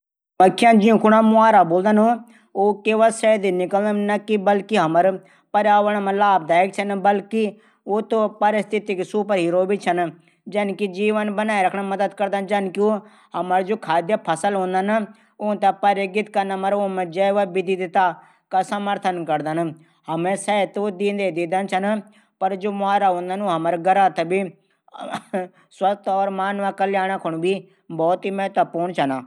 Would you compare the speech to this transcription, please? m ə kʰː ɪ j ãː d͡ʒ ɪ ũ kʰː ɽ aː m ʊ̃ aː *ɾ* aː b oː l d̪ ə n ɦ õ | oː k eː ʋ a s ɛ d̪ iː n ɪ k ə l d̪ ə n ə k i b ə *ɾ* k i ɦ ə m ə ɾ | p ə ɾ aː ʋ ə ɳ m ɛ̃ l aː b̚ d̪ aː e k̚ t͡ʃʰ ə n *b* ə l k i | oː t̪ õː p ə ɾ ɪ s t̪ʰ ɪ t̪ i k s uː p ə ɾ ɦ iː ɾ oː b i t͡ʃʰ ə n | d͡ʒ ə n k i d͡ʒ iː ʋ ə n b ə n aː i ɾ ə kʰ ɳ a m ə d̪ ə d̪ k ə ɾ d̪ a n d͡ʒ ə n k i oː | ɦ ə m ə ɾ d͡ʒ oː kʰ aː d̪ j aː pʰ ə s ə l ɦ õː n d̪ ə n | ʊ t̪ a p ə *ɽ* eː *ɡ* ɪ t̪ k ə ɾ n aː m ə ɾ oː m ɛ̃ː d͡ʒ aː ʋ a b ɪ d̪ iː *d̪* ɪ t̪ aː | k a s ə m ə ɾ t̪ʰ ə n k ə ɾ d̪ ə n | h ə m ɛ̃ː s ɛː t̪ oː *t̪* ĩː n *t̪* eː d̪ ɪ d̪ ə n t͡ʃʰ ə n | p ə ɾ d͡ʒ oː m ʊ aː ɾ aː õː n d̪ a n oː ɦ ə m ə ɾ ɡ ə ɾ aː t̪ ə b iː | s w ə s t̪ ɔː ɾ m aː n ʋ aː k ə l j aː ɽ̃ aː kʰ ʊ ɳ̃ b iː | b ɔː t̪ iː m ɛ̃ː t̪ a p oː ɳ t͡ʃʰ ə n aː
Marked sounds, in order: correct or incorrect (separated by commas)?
correct, incorrect, correct, incorrect, correct, correct, incorrect, incorrect